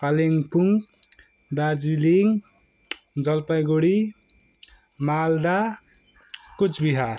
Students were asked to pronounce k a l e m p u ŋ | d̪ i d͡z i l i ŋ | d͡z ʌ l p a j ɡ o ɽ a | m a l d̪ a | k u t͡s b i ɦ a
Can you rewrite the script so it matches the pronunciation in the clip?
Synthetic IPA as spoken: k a l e ŋ p u ŋ | d̪ a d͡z i l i ŋ | d͡z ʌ l p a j ɡ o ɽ i | m a l d̪ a | k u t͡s b i ɦ a